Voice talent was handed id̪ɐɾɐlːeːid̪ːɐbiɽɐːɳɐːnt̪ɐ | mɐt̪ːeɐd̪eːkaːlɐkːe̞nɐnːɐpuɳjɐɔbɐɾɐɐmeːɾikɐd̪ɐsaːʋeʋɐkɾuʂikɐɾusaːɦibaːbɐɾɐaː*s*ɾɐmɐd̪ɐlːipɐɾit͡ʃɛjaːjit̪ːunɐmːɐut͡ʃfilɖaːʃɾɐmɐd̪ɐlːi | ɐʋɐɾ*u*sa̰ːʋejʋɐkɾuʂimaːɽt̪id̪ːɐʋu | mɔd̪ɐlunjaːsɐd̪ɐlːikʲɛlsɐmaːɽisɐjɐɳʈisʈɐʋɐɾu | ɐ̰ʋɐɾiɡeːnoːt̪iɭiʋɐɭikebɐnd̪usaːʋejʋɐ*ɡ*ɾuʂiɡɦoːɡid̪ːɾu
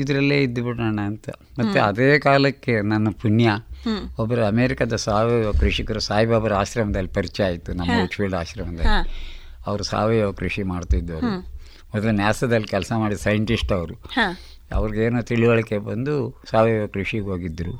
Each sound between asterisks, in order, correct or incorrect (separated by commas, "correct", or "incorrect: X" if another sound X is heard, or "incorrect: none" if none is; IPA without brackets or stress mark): incorrect: ʃ, correct, incorrect: k